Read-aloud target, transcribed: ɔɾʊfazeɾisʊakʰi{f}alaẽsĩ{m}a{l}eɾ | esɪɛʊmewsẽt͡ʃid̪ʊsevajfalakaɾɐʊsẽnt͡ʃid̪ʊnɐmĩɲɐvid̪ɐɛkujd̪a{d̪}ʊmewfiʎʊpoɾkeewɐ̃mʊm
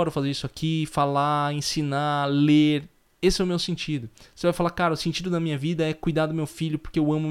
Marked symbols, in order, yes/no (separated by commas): yes, no, yes, yes